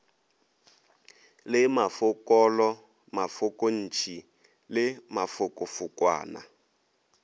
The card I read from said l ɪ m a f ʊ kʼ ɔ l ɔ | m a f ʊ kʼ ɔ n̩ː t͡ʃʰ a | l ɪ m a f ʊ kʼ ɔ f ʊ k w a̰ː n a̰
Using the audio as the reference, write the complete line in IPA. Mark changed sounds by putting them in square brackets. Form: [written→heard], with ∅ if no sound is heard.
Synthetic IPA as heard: l ɪ m a f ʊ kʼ ɔ l ɔ | m a f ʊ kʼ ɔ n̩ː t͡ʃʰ [a→i] | l ɪ m a f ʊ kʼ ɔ f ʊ k w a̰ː n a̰